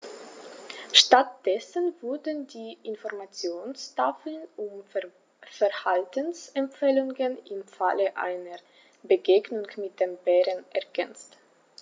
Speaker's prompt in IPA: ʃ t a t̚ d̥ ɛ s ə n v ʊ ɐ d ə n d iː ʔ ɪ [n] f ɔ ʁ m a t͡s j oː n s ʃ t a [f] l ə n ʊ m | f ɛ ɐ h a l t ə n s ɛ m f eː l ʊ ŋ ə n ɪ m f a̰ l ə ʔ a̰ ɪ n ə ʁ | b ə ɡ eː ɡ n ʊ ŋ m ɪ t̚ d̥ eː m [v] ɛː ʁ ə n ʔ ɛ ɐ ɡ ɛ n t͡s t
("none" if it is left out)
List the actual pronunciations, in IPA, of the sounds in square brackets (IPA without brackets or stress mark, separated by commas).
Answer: n, f, b